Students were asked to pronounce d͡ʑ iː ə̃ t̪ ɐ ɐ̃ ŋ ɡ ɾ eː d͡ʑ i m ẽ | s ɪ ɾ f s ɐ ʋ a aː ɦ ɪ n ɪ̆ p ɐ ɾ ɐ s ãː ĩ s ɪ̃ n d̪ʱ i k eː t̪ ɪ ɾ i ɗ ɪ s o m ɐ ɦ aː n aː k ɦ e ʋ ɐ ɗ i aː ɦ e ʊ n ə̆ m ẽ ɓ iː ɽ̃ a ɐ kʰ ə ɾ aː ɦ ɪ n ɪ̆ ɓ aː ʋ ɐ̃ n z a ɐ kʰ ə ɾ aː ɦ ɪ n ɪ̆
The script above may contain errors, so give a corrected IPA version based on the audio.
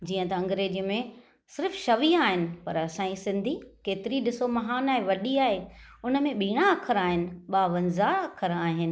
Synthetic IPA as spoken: d͡ʑ iː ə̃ t̪ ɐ ɐ̃ ŋ ɡ ɾ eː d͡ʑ i m ẽ | s ɪ ɾ f ʃ ɐ ʋ i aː ɦ ɪ n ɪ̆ p ɐ ɾ ɐ s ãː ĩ s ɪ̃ n d̪ʱ i k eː t̪ ɪ ɾ i ɗ ɪ s o m ɐ ɦ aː n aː ɦ e ʋ ɐ ɗ i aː ɦ e ʊ n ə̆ m ẽ ɓ iː ɽ̃ a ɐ kʰ ə ɾ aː ɦ ɪ n ɪ̆ ɓ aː ʋ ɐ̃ n z a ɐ kʰ ə ɾ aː ɦ ɪ n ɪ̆